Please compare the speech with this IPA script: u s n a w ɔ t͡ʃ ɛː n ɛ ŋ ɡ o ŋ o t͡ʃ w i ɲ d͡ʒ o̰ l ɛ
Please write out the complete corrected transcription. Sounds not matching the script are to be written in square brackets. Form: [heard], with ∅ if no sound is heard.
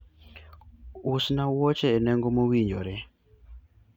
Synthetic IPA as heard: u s n a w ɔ t͡ʃ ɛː n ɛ ŋ ɡ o [m] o [∅] w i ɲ d͡ʒ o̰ [ɾ] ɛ